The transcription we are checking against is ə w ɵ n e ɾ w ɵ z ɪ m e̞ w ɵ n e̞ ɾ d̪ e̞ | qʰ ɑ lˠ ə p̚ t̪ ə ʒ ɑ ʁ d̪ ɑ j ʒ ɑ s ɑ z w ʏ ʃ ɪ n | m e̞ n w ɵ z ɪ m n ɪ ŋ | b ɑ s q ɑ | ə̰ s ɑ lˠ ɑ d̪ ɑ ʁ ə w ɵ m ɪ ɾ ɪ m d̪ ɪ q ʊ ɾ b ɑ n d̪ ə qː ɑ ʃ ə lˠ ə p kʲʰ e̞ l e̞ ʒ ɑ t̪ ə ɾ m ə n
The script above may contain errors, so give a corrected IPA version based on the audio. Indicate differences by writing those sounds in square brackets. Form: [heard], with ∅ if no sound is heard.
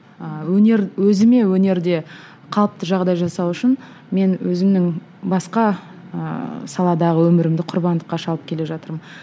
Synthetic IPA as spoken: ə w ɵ n e ɾ w ɵ z ɪ m e̞ w ɵ n e̞ ɾ d̪ e̞ | qʰ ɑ lˠ ə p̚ t̪ ə ʒ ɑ ʁ d̪ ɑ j ʒ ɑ s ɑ [∅] w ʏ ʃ ɪ n | m e̞ n w ɵ z ɪ m n ɪ ŋ | b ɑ s q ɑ | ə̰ s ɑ lˠ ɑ d̪ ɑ ʁ ə w ɵ m ɪ ɾ ɪ m d̪ ɪ [qʰ] ʊ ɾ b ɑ n d̪ ə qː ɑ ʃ [ɑ] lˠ ə p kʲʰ e̞ l e̞ ʒ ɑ t̪ ə ɾ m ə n